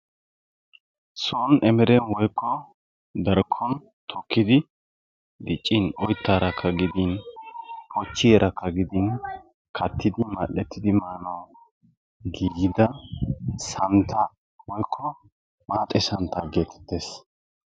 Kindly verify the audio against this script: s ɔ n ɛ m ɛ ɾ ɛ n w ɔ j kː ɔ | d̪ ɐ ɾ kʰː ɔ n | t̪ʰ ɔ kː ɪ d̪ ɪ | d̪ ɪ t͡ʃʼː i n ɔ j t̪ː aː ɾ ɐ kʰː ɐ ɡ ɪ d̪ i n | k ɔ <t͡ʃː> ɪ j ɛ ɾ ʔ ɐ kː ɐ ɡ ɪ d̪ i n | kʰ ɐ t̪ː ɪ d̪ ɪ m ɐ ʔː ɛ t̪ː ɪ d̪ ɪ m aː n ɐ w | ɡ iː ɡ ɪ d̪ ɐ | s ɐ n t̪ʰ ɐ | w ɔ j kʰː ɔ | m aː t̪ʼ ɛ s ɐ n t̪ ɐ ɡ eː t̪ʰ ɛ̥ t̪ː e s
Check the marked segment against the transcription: correct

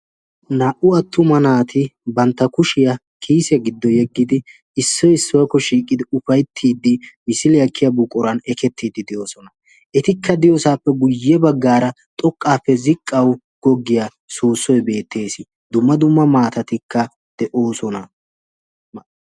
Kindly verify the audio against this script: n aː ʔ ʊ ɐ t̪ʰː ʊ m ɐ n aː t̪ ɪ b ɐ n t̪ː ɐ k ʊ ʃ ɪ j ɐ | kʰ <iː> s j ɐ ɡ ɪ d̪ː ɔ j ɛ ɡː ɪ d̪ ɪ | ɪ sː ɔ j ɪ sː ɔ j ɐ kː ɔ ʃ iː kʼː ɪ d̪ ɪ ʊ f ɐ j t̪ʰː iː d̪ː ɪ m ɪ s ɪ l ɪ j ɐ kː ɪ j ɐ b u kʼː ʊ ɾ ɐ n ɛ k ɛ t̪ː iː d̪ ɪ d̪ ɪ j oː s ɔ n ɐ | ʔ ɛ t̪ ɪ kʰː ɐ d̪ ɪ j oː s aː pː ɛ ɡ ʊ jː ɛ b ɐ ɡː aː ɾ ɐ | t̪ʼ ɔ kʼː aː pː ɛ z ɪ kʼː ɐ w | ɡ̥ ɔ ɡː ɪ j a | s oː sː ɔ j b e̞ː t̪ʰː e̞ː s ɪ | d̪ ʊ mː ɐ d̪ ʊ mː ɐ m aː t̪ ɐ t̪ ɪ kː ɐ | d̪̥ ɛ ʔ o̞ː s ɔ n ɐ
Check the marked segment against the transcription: correct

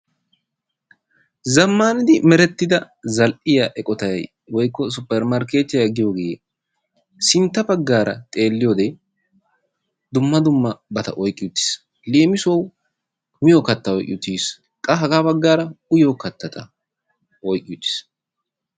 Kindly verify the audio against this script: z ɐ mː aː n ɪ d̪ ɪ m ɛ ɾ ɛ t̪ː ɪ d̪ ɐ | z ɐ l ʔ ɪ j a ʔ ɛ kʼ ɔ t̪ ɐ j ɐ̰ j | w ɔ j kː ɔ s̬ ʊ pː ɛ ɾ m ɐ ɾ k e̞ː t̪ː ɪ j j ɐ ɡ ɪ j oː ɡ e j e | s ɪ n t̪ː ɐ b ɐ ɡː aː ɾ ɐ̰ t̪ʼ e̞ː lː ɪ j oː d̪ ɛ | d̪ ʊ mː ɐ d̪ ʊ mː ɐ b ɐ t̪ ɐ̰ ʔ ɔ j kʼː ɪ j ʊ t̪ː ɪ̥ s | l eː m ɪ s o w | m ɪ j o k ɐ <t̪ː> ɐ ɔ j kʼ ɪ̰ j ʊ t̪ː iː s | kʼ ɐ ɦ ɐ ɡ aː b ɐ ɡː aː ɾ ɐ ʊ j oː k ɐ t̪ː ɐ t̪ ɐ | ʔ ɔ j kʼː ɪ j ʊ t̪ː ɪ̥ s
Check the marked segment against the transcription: correct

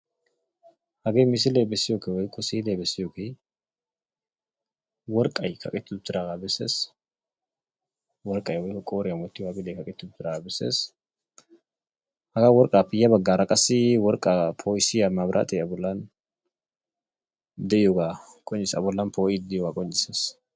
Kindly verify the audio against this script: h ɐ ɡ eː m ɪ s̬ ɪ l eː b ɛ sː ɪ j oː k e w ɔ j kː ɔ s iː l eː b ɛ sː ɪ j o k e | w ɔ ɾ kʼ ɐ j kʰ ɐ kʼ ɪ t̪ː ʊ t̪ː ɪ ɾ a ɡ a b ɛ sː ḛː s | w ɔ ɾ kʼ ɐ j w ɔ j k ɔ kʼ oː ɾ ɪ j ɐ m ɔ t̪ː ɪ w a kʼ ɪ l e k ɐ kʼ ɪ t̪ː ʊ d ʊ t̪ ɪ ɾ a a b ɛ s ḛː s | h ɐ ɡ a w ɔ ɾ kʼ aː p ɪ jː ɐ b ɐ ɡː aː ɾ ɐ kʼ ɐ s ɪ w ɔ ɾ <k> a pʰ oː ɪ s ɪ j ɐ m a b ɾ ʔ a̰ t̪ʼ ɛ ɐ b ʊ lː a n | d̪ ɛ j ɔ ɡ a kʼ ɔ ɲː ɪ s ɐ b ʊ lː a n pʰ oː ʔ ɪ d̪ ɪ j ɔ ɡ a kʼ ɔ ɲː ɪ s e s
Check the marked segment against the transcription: incorrect: kʼ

